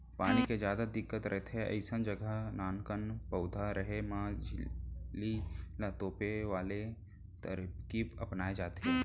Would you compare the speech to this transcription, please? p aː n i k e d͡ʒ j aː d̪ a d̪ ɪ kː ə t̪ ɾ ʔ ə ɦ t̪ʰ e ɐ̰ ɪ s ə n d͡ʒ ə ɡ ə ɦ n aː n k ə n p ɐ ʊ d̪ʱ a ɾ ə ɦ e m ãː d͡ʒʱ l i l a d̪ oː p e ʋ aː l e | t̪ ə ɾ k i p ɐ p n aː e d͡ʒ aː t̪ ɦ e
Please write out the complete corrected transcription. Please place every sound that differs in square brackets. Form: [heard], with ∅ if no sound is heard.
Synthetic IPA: p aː n i k e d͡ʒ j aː d̪ a d̪ ɪ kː ə t̪ ɾ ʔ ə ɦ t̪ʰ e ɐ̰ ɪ s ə n d͡ʒ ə ɡ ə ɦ n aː n k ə n p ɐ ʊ d̪ʱ a ɾ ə ɦ e m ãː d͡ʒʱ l i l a [t̪] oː p e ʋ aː l e | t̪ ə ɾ k i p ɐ p n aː e d͡ʒ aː t̪ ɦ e